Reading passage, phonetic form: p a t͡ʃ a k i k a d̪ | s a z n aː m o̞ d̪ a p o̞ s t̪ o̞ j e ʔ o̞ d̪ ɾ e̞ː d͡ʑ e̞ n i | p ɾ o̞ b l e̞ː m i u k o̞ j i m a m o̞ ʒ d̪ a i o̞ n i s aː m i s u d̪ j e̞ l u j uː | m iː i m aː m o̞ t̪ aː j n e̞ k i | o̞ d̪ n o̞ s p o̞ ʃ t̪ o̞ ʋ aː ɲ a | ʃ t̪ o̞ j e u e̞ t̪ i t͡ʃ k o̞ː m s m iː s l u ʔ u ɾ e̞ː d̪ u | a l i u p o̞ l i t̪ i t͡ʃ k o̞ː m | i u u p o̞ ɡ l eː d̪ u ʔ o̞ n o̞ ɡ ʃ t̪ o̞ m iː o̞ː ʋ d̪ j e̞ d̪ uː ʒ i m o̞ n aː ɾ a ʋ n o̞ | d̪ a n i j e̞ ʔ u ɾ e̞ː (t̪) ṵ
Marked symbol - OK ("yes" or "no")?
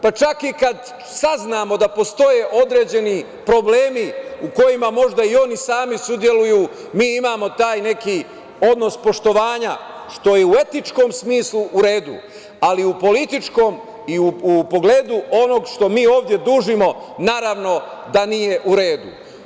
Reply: no